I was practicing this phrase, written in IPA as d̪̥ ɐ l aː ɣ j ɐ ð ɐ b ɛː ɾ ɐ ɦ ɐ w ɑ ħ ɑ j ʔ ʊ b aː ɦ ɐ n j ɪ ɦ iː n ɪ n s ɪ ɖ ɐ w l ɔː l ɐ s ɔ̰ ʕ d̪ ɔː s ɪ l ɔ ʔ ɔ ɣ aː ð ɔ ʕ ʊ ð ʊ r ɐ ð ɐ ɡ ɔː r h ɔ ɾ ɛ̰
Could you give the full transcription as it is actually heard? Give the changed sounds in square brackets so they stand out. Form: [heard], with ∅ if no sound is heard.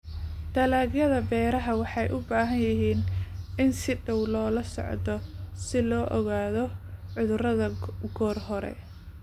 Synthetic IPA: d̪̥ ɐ l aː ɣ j ɐ ð ɐ b ɛː ɾ ɐ ɦ ɐ w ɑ ħ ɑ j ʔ ʊ b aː ɦ ɐ n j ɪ ɦ iː n ɪ n s ɪ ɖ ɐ w l ɔː l ɐ s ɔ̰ ʕ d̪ [ɔ] s ɪ l [ɔː] ʔ ɔ ɣ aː ð ɔ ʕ ʊ ð ʊ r ɐ ð ɐ ɡ ɔː r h ɔ ɾ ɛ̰